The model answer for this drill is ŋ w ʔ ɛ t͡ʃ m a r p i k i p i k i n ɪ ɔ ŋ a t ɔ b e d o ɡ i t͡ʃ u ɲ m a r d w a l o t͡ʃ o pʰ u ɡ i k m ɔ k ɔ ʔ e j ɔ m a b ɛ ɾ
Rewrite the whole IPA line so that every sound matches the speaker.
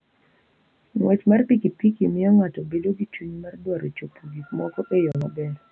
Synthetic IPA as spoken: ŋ w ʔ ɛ t͡ʃ m a r p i k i p i k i m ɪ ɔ ŋ a t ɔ b e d o ɡ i t͡ʃ u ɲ m a r d w a ɾ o t͡ʃ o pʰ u ɡ i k m ɔ k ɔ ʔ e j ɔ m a b ɛ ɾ